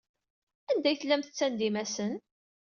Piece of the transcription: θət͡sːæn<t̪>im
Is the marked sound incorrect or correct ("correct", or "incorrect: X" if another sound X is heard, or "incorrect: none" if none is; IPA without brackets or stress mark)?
incorrect: d̪